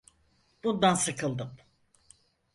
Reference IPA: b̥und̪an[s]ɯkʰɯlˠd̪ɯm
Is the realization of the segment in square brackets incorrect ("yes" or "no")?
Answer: no